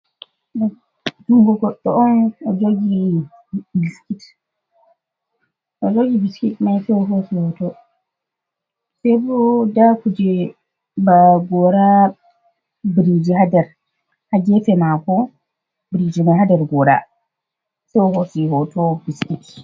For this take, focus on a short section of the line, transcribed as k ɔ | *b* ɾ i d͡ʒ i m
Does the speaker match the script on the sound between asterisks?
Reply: yes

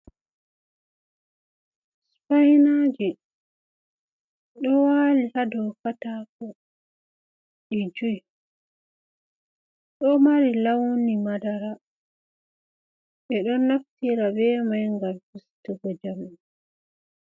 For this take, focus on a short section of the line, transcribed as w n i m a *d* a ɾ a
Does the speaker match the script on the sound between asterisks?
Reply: yes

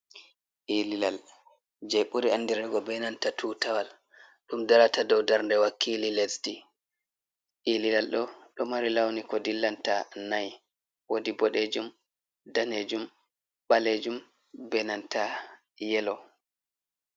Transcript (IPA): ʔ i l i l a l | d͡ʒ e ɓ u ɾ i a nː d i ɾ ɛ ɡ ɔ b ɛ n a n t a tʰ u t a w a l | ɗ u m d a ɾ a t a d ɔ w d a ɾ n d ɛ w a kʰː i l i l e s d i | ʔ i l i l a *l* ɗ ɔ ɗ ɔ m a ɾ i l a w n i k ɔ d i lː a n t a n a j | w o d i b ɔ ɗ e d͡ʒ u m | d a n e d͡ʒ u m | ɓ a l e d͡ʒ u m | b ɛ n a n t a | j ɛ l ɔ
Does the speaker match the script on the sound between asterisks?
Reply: yes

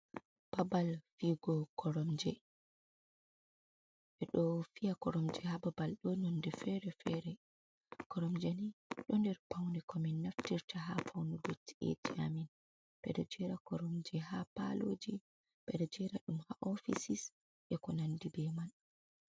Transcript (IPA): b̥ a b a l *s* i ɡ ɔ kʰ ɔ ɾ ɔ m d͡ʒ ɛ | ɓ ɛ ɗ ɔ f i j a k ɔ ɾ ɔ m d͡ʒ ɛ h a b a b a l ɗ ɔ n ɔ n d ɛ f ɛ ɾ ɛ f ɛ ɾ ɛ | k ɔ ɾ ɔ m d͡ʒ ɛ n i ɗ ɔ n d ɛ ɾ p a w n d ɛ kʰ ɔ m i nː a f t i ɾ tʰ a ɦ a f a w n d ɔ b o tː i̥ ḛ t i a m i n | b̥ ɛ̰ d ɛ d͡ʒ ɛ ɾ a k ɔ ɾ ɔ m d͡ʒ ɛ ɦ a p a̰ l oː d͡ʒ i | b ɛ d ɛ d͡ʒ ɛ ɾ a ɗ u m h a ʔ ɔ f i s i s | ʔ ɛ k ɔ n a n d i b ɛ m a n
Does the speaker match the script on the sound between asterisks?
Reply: no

